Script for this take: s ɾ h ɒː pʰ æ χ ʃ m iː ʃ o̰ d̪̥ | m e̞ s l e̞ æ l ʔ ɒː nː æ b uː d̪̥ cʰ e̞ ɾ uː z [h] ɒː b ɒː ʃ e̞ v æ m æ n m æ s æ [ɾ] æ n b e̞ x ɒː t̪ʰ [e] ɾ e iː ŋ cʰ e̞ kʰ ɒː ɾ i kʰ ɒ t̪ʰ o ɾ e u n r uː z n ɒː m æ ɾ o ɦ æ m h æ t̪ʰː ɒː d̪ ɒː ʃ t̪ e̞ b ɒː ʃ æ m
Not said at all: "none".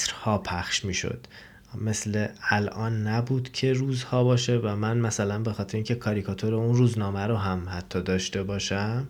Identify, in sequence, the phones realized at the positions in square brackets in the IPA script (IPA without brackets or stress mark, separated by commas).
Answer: h, l, e